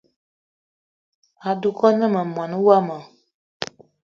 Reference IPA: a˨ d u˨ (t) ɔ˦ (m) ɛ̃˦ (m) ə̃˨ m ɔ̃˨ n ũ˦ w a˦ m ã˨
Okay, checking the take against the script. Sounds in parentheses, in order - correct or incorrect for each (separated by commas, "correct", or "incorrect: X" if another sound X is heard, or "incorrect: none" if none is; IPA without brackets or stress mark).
incorrect: k, incorrect: n, correct